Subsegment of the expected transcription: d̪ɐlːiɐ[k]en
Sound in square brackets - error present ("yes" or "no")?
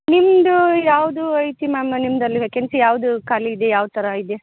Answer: no